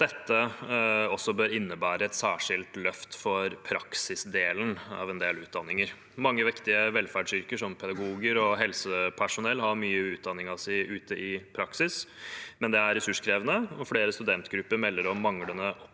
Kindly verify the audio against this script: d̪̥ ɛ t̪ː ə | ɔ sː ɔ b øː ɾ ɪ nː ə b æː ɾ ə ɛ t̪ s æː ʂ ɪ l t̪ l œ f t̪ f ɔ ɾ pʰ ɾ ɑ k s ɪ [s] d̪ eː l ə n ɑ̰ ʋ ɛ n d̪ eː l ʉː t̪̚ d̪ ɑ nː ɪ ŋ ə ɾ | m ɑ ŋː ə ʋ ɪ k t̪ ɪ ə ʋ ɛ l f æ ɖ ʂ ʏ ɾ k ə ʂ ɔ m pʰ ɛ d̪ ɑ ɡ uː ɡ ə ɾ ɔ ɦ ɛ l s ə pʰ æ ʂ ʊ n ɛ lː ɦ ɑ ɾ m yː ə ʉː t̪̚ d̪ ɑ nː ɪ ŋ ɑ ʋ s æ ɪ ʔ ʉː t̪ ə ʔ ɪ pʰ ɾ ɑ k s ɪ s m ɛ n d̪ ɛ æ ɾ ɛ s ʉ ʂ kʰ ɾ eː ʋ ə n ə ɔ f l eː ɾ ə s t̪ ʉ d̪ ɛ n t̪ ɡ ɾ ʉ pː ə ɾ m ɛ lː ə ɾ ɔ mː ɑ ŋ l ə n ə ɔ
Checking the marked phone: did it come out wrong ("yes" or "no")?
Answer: no